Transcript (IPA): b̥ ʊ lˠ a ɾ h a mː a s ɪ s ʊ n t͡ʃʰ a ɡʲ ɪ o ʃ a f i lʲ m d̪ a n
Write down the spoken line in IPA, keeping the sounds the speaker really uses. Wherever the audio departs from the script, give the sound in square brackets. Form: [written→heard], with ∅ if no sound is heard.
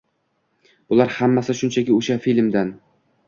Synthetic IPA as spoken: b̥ ʊ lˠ a ɾ h a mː a s ɪ [s→ʃ] ʊ n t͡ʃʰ a [ɡʲ→kʲ] ɪ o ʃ a f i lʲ m d̪ a n